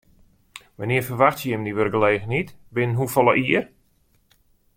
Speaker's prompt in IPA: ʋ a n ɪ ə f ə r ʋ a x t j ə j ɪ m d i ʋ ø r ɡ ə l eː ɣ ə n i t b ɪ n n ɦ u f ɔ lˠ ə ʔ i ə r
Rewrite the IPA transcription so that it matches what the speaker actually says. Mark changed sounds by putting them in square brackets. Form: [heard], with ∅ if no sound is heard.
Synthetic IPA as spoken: ʋ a n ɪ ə f ə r ʋ a x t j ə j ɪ m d i ʋ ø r ɡ ə l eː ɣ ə n i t b ɪ n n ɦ u f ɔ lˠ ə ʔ i ə r